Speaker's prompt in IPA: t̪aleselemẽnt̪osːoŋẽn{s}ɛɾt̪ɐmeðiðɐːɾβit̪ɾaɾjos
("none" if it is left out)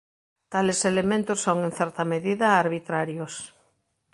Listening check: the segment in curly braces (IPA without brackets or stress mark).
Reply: θ